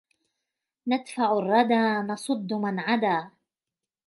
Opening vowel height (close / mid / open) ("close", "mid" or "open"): open